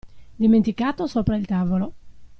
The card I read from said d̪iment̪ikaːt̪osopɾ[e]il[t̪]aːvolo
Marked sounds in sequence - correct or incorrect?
incorrect, correct

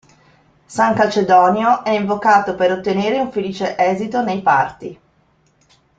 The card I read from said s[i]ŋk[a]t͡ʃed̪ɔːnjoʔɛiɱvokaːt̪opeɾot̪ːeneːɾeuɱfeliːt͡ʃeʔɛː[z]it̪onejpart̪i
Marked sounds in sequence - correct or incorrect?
incorrect, correct, correct

